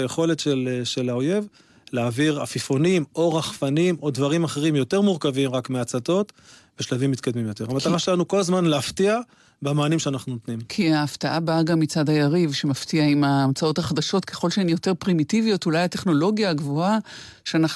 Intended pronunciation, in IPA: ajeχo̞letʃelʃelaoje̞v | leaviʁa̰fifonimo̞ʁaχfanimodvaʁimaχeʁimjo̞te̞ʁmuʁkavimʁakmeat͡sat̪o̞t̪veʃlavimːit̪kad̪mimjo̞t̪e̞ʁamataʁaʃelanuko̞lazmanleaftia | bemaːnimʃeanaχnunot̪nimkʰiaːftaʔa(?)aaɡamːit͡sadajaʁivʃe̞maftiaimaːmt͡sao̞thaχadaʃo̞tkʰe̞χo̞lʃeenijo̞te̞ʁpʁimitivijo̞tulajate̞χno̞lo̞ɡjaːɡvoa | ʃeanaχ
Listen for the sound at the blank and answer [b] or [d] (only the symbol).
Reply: b